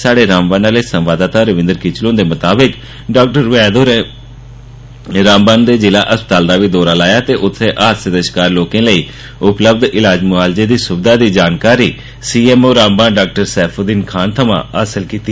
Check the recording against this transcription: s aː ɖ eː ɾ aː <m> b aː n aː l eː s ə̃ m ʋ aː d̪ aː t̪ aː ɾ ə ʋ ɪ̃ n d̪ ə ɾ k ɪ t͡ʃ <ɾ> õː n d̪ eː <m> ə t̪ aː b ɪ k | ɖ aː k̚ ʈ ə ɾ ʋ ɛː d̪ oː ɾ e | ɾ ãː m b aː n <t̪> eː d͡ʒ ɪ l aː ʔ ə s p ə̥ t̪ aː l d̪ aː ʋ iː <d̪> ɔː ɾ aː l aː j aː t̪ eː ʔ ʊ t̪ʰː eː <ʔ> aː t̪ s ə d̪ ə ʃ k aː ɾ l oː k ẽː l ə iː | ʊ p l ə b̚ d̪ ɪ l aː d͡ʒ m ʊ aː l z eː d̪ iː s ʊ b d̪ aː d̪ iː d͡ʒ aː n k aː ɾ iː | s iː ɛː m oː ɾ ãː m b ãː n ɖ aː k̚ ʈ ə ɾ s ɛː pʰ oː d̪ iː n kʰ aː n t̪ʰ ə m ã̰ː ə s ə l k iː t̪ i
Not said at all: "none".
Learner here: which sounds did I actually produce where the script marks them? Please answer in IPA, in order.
m, l, m, d̪, d̪, ʔ

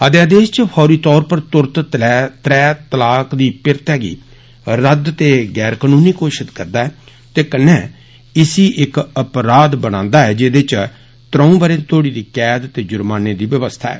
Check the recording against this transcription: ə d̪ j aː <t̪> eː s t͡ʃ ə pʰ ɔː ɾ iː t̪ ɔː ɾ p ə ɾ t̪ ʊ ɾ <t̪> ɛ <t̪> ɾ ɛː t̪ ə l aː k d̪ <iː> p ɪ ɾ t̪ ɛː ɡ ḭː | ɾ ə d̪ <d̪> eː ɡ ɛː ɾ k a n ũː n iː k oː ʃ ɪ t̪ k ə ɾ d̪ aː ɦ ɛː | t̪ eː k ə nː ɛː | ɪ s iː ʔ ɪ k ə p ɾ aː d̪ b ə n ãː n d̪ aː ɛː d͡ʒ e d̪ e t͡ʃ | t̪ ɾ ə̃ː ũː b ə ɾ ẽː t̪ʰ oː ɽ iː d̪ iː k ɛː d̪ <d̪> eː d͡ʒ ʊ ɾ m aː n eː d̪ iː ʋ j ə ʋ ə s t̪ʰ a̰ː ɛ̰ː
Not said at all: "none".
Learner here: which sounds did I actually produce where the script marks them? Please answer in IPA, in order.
d̪, t̪, t̪, iː, t̪, t̪

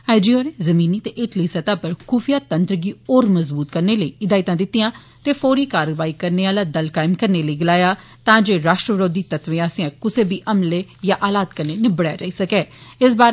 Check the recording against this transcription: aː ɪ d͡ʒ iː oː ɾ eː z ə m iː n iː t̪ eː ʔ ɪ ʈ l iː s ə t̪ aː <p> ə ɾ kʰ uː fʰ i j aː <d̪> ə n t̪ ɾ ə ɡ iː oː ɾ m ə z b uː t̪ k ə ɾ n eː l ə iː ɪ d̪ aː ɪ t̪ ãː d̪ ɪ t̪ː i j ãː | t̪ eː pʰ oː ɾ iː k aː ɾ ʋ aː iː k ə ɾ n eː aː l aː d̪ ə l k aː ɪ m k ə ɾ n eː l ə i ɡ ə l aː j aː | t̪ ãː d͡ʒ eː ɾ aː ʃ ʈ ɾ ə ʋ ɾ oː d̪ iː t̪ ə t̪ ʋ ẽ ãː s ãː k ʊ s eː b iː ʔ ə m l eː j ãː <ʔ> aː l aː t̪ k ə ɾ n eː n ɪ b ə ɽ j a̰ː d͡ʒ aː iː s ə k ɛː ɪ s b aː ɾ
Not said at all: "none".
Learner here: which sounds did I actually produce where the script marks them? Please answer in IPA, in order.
p, t̪, ʔ

